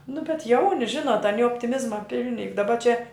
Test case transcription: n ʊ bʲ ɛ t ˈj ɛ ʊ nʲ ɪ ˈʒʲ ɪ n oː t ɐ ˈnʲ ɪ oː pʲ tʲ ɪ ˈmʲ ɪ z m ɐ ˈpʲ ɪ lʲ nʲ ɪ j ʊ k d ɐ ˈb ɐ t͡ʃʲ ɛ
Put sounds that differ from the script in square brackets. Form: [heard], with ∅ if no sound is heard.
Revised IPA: n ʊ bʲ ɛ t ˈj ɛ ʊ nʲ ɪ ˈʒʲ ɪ n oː t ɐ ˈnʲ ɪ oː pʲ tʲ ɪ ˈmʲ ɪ z m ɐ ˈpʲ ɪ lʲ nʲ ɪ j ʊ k d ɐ ˈb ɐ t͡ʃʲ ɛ

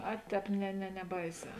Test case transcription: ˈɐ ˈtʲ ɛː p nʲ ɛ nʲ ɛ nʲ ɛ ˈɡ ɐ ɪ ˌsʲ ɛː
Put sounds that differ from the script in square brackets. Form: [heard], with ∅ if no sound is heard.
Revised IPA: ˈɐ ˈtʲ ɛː p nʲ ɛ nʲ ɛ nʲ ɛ [ˈb] ɐ ɪ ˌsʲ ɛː

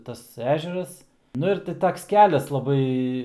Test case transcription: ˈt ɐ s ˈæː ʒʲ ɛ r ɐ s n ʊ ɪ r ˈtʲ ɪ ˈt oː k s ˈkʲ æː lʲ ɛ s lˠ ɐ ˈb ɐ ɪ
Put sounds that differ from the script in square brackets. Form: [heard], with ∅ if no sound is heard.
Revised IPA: ˈt ɐ s ˈæː ʒʲ ɛ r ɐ s n ʊ ɪ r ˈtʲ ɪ ˈt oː k s ˈkʲ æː lʲ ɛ s lˠ ɐ ˈb ɐ ɪ

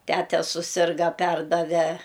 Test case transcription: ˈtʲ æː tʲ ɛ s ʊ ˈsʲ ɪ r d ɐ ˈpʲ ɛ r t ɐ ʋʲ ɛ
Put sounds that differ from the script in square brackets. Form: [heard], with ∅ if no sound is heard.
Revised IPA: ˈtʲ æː tʲ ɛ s ʊ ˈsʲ ɪ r [ɡ] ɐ ˈpʲ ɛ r [d] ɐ ʋʲ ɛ

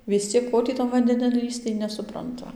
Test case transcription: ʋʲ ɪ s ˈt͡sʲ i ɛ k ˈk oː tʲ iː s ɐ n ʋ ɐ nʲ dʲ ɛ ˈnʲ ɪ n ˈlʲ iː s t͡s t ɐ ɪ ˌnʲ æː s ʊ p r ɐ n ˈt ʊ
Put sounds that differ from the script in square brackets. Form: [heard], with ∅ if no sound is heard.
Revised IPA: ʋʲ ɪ s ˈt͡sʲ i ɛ k ˈk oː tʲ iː [t] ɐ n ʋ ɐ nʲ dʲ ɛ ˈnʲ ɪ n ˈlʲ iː s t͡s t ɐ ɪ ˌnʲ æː s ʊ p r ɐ n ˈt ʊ

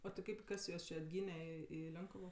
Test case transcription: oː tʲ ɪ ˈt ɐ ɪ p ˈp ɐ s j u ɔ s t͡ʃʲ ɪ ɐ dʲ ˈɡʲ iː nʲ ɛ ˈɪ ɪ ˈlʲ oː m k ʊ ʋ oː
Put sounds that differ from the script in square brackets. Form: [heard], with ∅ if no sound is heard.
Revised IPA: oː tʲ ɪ [ˈk] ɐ ɪ p [ˈk] ɐ s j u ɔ s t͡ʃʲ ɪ ɐ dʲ ˈɡʲ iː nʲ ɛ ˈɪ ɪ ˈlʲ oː [ŋ] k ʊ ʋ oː

